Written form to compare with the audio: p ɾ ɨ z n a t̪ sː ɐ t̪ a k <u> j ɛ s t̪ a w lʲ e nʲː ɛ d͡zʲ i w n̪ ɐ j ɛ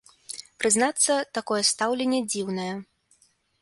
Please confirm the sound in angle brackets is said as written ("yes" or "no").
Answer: no